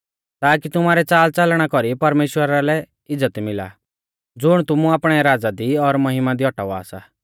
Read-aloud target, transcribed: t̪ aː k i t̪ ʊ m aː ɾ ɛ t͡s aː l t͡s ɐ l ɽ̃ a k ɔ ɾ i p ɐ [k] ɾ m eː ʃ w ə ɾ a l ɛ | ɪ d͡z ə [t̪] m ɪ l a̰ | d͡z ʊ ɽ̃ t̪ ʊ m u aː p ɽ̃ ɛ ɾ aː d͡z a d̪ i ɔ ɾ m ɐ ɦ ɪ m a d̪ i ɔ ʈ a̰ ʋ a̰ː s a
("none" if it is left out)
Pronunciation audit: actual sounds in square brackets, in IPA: none, t̪

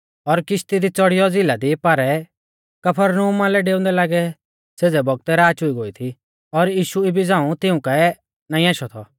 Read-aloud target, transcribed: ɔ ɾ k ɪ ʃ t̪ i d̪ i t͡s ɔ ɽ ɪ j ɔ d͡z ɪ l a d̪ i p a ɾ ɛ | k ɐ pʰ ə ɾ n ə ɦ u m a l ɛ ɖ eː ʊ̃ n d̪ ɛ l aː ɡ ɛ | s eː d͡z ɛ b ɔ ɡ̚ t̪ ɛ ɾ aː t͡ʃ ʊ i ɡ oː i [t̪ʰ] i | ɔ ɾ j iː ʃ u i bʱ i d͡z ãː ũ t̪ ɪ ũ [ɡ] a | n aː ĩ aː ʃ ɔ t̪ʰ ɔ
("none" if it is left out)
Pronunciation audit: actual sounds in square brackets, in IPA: t̪ʰ, k

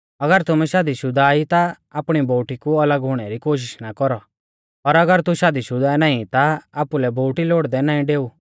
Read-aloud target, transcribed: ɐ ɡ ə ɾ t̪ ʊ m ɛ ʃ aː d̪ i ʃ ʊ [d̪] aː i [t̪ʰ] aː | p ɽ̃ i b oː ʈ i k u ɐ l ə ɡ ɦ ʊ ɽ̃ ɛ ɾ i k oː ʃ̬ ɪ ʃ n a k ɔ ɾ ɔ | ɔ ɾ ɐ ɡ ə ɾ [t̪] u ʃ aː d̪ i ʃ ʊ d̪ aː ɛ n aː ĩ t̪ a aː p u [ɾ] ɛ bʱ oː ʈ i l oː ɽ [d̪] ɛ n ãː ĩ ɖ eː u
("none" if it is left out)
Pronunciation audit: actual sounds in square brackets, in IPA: d̪, t̪, t̪, l, d̪

